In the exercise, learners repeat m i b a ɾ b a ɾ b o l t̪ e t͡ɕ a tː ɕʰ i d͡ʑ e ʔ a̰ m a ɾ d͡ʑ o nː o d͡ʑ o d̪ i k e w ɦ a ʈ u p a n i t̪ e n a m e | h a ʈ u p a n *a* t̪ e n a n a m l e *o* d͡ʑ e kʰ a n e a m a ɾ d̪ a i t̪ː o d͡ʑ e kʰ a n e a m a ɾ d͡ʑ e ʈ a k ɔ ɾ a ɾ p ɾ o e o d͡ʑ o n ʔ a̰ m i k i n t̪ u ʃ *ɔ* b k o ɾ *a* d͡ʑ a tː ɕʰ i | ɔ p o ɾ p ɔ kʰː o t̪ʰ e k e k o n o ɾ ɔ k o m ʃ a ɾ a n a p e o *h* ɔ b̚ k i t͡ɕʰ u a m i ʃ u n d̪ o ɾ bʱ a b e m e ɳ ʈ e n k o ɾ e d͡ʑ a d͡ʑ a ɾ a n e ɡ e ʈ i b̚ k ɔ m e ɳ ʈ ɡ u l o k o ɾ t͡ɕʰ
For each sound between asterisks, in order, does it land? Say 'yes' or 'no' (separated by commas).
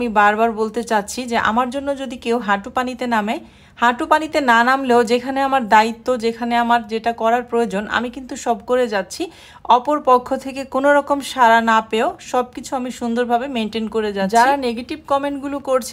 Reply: no, yes, yes, no, no